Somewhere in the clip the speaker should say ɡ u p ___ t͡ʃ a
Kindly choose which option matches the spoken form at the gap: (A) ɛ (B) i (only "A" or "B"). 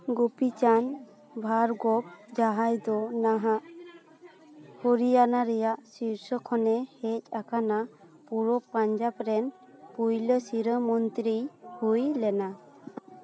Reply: B